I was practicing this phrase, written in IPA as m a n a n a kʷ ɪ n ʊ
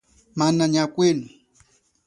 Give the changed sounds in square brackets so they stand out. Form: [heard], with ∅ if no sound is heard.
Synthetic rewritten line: m a n a [ɲ] a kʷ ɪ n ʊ